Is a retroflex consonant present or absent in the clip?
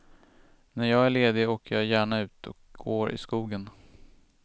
present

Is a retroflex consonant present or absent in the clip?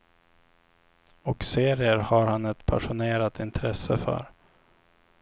present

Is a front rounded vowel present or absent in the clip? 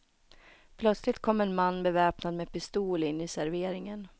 present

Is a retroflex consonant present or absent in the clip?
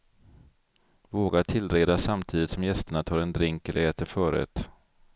present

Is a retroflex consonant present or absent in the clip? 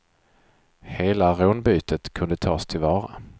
absent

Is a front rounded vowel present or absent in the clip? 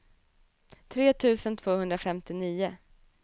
absent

